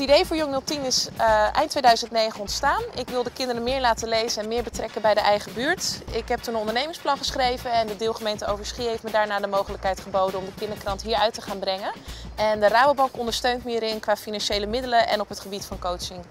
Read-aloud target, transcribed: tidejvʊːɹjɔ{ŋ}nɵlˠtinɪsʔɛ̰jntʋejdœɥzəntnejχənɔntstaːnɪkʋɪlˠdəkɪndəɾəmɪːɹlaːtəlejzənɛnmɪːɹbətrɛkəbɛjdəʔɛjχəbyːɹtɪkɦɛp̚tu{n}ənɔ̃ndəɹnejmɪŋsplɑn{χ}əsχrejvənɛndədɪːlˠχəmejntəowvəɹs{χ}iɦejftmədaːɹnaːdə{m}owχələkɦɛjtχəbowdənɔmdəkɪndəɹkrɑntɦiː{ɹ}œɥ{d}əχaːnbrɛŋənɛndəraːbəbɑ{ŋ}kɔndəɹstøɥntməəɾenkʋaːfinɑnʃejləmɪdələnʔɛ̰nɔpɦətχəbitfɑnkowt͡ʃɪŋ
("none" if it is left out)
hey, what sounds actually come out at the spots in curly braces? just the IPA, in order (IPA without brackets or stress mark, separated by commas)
ŋ, n, χ, χ, m, ɹ, t, ŋ